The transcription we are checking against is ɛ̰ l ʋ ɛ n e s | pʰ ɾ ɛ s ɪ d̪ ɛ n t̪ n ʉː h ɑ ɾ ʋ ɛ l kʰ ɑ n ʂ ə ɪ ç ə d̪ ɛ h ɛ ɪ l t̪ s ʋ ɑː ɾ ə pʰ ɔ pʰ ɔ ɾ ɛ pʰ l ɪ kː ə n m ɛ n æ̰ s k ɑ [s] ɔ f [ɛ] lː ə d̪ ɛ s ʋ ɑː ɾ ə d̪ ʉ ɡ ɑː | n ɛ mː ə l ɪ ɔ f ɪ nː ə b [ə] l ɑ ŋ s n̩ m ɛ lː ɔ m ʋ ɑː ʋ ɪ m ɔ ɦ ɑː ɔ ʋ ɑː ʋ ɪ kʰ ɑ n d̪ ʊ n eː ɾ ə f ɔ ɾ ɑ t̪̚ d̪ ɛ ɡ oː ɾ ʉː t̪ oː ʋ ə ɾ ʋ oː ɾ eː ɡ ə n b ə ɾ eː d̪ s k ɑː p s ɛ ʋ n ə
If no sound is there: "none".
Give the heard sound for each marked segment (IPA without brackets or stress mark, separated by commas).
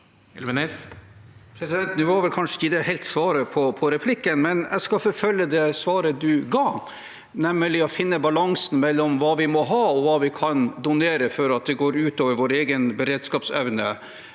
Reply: f, œ, ɑ